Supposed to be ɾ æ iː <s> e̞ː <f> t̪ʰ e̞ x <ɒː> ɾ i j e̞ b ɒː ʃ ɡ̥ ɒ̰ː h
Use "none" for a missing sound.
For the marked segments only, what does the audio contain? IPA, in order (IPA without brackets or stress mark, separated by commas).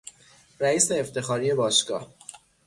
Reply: s, f, ɒː